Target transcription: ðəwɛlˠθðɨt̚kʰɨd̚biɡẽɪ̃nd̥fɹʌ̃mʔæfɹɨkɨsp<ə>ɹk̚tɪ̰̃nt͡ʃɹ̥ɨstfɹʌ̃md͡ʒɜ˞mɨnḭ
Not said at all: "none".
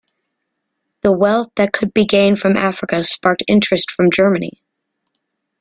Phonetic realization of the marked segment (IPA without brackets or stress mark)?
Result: ɑ